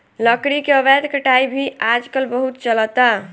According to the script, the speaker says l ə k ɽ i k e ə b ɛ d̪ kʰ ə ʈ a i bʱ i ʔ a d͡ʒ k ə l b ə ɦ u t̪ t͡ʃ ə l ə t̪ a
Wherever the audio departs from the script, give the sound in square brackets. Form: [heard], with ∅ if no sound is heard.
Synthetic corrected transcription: l ə k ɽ i k e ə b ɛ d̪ [k] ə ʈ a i bʱ i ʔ a d͡ʒ k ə l b ə ɦ u t̪ t͡ʃ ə l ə t̪ a